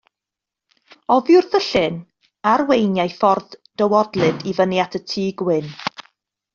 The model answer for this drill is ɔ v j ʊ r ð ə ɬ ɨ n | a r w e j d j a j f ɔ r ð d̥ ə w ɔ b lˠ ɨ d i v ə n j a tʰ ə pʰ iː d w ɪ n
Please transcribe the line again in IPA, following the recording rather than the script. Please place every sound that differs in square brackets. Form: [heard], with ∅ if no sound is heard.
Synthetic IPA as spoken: ɔ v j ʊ r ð ə ɬ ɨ n | a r w e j [n] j a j f ɔ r ð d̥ ə w ɔ [d] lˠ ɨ d i v ə n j a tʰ ə [tʰ] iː [ɡ] w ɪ n